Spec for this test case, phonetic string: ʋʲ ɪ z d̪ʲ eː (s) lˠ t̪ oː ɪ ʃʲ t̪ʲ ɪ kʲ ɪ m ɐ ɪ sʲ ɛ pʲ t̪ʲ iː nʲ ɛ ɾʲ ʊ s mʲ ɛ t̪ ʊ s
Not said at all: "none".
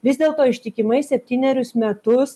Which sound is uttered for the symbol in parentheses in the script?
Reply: none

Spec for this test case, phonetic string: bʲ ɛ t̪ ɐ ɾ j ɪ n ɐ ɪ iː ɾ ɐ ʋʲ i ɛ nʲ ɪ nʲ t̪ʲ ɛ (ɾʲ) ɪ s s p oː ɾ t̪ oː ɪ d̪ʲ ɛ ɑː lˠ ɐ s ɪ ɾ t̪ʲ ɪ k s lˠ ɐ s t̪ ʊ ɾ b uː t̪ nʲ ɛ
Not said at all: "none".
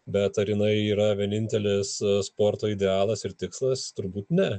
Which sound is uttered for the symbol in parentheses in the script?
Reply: lʲ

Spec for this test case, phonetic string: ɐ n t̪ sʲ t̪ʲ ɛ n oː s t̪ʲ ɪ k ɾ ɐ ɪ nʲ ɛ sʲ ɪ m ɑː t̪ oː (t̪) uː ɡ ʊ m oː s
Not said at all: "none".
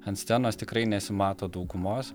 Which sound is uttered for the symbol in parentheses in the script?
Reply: d̪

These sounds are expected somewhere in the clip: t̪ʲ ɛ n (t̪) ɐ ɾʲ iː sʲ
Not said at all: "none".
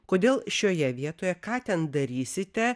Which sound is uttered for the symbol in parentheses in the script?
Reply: d̪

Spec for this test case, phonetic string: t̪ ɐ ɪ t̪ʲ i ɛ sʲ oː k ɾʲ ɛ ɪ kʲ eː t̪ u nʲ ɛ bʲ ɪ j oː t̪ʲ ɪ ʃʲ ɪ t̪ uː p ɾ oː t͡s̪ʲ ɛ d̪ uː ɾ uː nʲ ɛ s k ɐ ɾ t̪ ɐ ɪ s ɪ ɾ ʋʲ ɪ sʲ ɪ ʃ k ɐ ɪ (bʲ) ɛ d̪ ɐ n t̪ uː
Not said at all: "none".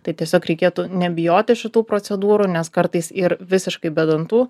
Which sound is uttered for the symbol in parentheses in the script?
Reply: bʲ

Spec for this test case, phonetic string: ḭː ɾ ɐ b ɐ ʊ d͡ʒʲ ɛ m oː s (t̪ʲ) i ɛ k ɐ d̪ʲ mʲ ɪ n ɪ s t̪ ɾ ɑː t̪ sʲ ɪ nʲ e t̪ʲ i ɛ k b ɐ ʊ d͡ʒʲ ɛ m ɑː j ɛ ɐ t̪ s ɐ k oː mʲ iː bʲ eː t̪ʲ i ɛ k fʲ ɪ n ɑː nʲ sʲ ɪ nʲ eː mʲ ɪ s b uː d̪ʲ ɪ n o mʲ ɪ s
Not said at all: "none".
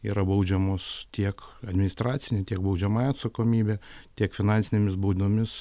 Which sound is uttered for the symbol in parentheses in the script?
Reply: t̪ʲ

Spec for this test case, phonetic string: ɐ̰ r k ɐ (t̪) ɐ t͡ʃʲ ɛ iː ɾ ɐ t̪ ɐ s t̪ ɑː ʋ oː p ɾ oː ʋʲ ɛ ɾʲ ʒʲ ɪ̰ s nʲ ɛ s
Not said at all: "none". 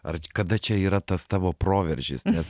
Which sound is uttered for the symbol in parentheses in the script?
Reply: d̪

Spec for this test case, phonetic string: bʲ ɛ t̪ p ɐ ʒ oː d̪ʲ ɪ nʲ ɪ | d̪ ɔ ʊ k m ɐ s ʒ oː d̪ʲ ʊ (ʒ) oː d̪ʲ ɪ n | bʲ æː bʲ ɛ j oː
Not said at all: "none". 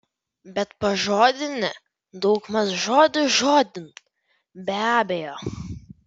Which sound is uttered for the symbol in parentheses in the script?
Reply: ʒ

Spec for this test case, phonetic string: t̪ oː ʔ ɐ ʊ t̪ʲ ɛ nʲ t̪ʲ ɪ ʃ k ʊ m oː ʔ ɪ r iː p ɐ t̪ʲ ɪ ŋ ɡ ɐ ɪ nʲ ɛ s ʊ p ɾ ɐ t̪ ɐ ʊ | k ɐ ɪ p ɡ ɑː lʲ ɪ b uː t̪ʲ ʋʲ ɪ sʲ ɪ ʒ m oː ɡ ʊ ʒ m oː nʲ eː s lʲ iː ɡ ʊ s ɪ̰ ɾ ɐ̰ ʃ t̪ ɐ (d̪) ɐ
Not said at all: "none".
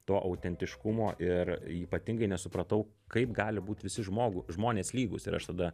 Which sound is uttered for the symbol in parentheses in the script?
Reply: d̪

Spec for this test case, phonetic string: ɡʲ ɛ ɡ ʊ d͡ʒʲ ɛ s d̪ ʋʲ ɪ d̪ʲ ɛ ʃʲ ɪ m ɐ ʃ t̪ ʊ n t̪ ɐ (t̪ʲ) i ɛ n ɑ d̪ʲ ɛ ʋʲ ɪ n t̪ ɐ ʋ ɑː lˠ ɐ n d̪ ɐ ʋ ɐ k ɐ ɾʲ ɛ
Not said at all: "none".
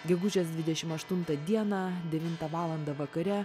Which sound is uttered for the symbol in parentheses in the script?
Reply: d̪ʲ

